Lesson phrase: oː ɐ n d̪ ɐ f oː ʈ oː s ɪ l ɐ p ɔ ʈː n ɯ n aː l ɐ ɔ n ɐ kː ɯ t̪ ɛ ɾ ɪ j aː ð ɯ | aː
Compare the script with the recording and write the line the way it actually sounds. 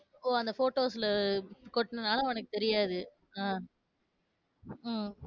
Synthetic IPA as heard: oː ɐ n d̪ ɐ f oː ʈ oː s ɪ l ɐ k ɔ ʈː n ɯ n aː l ɐ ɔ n ɐ kː ɯ t̪ ɛ ɾ ɪ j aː ð ɯ | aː